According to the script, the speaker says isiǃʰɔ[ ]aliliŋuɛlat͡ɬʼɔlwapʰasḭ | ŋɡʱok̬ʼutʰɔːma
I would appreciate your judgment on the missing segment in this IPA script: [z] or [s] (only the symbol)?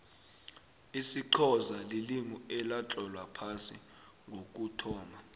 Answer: z